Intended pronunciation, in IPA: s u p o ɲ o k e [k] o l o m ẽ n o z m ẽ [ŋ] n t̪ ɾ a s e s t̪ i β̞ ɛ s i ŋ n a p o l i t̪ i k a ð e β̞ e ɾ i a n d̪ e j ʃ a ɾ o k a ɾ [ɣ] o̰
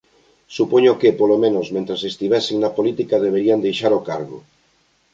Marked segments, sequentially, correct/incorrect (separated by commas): incorrect, incorrect, correct